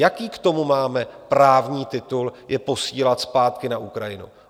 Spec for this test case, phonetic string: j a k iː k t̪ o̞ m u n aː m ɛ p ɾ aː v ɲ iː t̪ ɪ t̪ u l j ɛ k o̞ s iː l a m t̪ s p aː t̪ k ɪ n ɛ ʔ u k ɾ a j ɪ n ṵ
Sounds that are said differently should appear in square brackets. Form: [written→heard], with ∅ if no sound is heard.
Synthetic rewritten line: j a k iː k t̪ o̞ m u [n→m] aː m ɛ p ɾ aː v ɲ iː t̪ ɪ t̪ u l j ɛ [k→p] o̞ s iː l a [m→∅] t̪ s p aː t̪ k ɪ n [ɛ→a] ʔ u k ɾ a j ɪ n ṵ